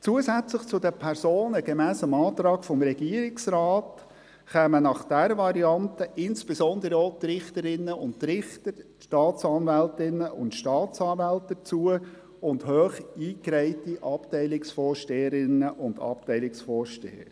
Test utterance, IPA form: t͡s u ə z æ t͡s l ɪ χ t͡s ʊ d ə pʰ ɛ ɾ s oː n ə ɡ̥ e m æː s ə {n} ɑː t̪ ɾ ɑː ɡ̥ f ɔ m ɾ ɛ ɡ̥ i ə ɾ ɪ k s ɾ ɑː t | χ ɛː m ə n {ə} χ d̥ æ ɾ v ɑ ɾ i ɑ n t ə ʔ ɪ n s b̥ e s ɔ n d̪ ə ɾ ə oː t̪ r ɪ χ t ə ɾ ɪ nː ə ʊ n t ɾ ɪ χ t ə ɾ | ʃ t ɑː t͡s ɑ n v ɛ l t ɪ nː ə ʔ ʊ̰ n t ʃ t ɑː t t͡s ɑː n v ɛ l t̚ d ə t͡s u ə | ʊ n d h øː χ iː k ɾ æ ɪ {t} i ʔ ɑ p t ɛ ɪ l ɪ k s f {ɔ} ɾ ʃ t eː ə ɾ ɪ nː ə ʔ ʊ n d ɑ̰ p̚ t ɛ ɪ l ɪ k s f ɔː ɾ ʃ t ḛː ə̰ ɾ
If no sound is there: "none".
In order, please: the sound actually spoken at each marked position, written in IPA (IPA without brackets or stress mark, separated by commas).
m, ɑ, t, ɔː